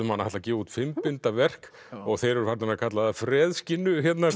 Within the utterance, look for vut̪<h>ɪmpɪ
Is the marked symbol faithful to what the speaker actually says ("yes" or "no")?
no